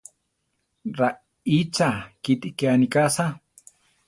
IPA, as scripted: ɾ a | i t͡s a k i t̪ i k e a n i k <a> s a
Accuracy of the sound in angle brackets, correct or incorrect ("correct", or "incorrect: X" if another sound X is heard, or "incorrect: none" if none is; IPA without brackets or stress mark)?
correct